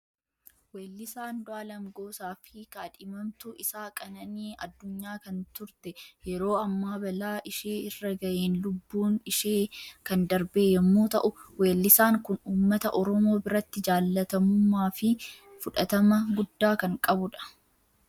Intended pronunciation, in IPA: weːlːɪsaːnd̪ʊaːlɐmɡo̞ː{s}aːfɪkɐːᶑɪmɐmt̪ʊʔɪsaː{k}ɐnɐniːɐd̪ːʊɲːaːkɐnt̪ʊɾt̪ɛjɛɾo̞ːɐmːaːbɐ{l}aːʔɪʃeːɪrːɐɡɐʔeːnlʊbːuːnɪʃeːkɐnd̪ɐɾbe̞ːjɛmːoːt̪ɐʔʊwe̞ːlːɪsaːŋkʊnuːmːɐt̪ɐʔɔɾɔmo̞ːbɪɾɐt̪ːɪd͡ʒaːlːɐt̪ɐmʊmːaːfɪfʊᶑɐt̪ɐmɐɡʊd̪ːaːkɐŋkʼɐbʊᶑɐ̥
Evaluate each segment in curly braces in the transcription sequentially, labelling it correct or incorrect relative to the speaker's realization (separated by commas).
correct, incorrect, correct